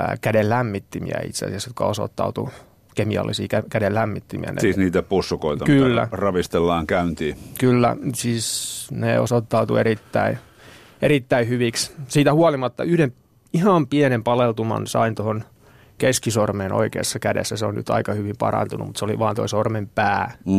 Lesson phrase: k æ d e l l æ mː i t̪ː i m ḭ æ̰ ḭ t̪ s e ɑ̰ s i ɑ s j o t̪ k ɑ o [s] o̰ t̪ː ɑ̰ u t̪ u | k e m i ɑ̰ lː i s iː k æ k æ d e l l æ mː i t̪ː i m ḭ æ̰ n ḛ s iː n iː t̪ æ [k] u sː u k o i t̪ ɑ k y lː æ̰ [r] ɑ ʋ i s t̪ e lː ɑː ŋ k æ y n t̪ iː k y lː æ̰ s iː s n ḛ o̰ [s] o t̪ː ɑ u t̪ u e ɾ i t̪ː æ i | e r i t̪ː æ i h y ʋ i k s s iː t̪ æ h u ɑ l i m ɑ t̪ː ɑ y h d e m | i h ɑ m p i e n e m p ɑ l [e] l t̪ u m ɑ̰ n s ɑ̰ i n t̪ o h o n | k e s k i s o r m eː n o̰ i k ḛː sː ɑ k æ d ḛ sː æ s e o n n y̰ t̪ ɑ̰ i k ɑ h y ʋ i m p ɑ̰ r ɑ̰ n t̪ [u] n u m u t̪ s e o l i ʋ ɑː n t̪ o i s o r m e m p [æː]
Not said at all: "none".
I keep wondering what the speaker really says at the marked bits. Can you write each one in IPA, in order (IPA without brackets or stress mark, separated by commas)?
s, p, r, s, e, u, æː